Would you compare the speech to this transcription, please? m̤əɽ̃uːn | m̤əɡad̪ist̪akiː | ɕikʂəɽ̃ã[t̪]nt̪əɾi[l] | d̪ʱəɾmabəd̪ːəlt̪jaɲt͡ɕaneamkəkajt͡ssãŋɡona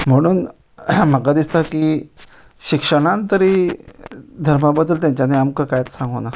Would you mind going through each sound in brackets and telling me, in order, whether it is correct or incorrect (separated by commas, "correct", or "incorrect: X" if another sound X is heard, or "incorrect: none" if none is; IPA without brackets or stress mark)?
incorrect: none, incorrect: none